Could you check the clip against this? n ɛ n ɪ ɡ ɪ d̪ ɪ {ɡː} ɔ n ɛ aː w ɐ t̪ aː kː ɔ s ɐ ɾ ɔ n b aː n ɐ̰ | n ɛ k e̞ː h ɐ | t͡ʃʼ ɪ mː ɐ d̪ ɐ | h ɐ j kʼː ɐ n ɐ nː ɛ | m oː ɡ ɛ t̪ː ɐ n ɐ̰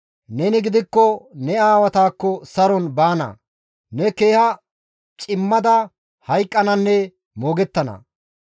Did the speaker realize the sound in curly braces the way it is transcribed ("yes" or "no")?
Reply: no